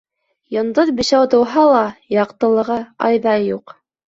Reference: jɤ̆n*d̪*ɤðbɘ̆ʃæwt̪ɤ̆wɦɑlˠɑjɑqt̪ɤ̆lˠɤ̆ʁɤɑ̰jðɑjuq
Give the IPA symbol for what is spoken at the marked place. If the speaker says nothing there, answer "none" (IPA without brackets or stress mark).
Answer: d̪